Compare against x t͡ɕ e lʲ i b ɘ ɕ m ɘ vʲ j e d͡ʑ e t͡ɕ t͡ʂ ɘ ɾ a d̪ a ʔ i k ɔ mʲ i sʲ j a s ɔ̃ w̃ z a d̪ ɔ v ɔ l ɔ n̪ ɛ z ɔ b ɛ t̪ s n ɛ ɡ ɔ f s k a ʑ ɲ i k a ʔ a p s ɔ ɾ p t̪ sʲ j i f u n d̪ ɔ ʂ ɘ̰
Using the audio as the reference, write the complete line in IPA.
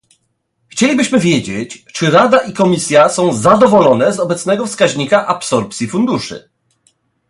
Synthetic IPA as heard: x t͡ɕ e lʲ i b ɘ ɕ m ɘ vʲ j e d͡ʑ e t͡ɕ t͡ʂ ɘ ɾ a d̪ a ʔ i k ɔ mʲ i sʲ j a s ɔ̃ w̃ z a d̪ ɔ v ɔ l ɔ n̪ ɛ z ɔ b ɛ t̪ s n ɛ ɡ ɔ f s k a ʑ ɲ i k a ʔ a p s ɔ ɾ p t̪ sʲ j i f u n d̪ u ʂ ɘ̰